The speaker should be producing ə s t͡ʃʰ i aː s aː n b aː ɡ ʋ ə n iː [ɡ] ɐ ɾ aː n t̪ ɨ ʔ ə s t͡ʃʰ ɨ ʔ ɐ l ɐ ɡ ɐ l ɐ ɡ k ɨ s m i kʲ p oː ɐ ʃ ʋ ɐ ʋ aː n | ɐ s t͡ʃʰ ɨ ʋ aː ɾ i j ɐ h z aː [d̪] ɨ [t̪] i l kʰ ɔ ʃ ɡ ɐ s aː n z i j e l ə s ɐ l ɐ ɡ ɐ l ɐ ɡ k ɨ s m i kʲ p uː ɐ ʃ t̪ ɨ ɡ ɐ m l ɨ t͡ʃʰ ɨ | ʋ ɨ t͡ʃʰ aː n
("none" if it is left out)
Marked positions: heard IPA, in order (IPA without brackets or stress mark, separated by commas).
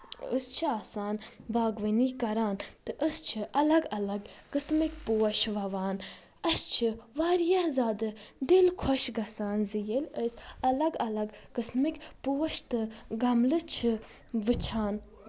k, d̪, d̪